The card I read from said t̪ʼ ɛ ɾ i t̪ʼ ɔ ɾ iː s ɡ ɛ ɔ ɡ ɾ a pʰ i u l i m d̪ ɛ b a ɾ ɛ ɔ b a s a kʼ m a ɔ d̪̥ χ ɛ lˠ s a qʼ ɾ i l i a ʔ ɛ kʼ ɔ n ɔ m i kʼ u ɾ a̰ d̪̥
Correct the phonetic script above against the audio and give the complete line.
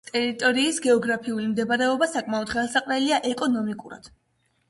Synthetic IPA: t̪ʼ ɛ ɾ i t̪ʼ ɔ ɾ iː s ɡ ɛ ɔ ɡ ɾ a pʰ i u l i m d̪ ɛ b a ɾ ɛ ɔ b a s a kʼ m a ɔ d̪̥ χ ɛ lˠ s a qʼ ɾ ɛ l i a ʔ ɛ kʼ ɔ n ɔ m i kʼ u ɾ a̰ d̪̥